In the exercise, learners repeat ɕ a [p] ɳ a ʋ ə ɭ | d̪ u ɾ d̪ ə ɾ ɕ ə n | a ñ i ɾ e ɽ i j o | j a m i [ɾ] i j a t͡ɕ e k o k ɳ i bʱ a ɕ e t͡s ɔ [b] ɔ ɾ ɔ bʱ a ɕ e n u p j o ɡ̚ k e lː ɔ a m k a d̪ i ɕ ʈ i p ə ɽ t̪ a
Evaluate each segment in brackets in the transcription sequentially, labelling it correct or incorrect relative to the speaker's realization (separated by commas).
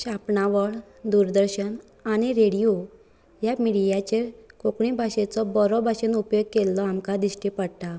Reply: correct, incorrect, correct